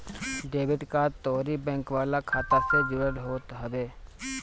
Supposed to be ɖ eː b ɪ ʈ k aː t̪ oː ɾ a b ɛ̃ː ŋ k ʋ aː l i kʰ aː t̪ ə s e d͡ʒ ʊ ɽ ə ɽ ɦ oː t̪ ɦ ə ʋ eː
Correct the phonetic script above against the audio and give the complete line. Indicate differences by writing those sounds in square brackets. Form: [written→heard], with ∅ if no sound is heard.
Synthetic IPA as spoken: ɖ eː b ɪ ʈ k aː t̪ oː ɾ [a→i] b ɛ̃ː ŋ k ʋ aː l [i→a] kʰ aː t̪ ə s e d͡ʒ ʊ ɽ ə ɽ ɦ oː t̪ ɦ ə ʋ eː